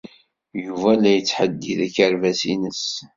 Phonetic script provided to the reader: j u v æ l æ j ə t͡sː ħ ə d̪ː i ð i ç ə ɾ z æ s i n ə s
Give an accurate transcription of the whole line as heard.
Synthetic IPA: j u v æ l æ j ə t͡sː ħ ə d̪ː i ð æ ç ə ɾ v æ s i n ə s

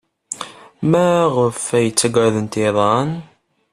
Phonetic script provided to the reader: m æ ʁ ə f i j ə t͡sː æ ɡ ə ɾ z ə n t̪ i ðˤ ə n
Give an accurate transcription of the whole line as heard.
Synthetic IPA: m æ ʁ ə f æ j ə t͡sː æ ɡ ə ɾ ð ə n t̪ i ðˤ ɑ n

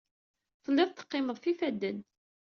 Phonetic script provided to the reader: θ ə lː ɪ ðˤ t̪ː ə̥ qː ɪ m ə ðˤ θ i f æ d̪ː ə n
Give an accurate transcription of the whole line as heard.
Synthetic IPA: θ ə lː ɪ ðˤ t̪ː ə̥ qː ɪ m ə ðˤ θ i f æ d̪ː ə n

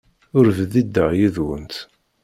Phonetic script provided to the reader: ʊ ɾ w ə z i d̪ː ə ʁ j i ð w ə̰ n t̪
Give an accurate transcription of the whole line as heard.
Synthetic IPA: ʊ ɾ v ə ð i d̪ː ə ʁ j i ð w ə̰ n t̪

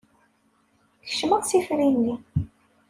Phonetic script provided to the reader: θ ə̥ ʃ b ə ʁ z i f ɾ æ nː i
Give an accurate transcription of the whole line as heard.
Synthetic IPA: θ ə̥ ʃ m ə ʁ s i f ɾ i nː i

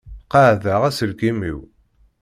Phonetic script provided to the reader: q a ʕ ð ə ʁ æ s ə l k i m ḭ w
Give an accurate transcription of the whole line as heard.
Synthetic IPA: q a ʕ ð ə ʁ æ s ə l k i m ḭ w

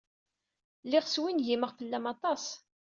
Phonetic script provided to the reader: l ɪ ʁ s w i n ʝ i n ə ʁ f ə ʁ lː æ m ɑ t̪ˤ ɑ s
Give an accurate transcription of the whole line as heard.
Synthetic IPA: l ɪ ʁ s w i n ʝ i m ə ʁ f ə lː æ m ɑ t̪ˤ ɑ s

